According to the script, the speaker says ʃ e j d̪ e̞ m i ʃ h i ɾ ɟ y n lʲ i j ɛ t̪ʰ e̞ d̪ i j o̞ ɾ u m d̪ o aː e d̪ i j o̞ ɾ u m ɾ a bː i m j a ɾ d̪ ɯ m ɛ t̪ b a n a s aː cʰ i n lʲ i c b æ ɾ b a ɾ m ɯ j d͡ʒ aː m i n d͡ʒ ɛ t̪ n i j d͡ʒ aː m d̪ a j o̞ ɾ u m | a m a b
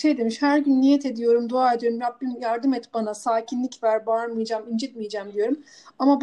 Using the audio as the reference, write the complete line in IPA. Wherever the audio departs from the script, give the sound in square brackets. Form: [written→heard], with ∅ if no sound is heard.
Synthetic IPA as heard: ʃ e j d̪ e̞ m i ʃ h [i→æ] ɾ ɟ y n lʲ i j ɛ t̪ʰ e̞ d̪ i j o̞ ɾ u m d̪ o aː e d̪ i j o̞ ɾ u m ɾ a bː i m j a ɾ d̪ ɯ m ɛ t̪ b a n a s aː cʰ i n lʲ i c [b→v] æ ɾ b a ɾ m ɯ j d͡ʒ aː m i n d͡ʒ ɛ t̪ [n→m] i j d͡ʒ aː m d̪ [a→i] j o̞ ɾ u m | a m a b